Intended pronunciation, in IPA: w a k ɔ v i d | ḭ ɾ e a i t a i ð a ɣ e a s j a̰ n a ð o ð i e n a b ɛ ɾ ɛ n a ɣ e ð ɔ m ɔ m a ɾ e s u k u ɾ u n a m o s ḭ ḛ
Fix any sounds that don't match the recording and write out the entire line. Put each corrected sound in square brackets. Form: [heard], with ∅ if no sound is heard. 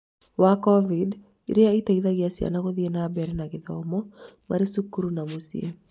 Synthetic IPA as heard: w a k ɔ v i d | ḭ ɾ e a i t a i ð a ɣ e a s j a̰ n a [ɣ] o ð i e n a b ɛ ɾ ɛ n a ɣ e ð ɔ m ɔ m a ɾ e s u k u ɾ u n a m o s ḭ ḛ